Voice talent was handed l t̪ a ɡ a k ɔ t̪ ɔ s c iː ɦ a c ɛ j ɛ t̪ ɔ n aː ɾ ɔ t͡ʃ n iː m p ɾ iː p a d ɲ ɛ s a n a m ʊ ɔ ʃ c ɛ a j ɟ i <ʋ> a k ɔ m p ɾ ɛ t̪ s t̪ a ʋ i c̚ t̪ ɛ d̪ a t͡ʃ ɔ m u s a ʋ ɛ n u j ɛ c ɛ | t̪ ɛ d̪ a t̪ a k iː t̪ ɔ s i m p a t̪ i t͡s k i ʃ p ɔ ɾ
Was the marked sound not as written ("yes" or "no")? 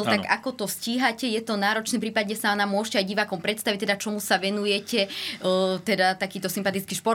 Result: no